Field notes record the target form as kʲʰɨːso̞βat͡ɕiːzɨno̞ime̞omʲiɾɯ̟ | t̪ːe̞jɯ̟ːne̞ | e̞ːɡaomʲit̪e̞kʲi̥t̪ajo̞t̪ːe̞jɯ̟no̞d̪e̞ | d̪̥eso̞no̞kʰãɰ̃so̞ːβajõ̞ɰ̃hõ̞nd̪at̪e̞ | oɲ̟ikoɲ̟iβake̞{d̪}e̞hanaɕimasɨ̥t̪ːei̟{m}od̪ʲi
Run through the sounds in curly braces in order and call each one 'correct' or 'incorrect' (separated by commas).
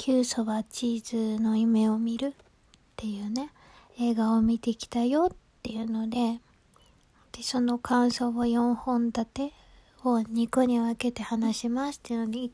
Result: incorrect, incorrect